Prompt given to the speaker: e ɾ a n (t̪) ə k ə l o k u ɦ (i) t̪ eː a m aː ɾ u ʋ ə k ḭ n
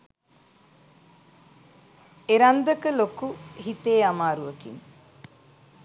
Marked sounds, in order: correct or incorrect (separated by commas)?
incorrect, correct